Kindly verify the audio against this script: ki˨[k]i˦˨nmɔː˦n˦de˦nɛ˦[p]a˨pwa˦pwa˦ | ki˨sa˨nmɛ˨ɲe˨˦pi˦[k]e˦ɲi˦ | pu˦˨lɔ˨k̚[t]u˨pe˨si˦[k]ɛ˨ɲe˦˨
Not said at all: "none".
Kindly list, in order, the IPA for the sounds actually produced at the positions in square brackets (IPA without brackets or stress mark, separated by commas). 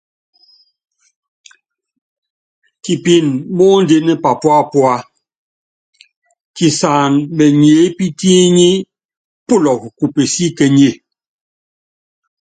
p, p, t, k, k